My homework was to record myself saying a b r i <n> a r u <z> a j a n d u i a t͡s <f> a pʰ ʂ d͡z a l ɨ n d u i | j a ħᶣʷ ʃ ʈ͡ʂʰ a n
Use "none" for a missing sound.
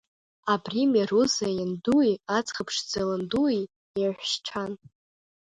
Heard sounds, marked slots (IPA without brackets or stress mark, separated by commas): m, z, χ